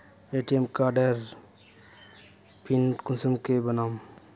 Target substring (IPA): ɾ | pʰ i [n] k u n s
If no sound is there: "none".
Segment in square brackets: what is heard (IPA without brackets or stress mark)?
n